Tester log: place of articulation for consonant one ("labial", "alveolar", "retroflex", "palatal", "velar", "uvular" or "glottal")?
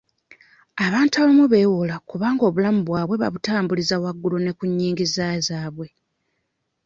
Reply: labial